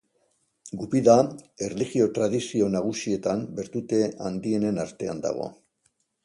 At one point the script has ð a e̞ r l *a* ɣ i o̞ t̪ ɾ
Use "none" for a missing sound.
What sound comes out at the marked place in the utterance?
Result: i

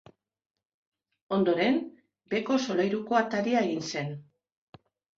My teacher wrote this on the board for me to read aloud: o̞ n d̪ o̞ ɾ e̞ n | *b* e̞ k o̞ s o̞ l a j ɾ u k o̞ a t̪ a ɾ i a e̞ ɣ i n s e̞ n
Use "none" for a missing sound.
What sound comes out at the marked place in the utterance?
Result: b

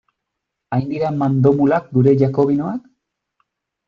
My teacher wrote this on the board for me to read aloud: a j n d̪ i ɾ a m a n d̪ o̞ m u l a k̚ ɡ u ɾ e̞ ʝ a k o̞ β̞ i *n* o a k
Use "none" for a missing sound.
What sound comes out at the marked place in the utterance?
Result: n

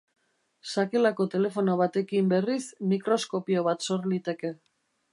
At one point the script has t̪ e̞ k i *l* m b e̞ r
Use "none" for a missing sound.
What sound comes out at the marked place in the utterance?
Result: none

